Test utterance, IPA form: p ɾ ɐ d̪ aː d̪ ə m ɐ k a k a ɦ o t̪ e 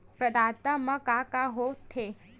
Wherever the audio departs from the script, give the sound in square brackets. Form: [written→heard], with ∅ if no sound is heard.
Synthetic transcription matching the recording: p ɾ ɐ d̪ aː [d̪→t̪] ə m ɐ k a k a ɦ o [t̪→t̪ʰ] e